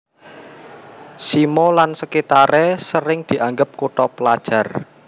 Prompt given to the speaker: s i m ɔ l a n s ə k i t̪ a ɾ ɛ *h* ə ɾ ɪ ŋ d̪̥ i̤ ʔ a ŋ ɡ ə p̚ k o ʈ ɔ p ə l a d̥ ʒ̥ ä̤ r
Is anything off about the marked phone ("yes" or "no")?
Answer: yes